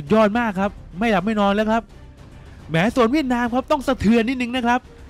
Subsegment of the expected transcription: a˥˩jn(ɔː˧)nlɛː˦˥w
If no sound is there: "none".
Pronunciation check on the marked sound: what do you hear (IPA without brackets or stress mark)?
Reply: ɔː˧